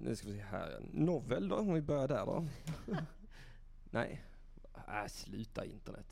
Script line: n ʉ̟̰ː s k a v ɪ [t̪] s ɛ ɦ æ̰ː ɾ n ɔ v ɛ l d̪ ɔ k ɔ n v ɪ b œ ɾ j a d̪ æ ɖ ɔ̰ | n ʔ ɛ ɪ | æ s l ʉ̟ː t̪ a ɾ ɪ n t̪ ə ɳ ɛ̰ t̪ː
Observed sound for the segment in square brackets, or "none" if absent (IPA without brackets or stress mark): none